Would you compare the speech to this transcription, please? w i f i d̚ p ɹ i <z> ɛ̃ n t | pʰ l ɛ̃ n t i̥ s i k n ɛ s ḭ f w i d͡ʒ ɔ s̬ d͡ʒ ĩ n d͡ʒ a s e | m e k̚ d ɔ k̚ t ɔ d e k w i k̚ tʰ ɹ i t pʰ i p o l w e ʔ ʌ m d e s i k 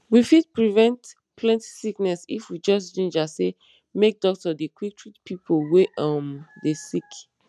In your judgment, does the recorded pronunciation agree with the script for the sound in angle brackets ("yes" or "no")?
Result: no